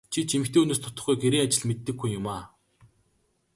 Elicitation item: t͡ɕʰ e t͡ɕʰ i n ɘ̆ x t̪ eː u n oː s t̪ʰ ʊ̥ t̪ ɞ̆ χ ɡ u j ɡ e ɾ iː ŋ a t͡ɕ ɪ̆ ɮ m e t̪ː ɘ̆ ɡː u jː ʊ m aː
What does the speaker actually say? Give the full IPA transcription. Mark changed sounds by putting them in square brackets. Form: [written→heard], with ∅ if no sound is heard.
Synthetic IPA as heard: t͡ɕʰ [e→i] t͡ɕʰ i [n→m] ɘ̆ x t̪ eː u n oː s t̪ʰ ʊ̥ t̪ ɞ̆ χ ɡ u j ɡ e ɾ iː ŋ a t͡ɕ ɪ̆ ɮ m e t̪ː ɘ̆ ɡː u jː ʊ m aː